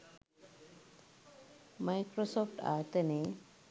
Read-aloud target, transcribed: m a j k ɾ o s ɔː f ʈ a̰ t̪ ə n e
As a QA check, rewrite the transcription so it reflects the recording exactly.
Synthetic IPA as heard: m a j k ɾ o s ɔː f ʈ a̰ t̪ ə n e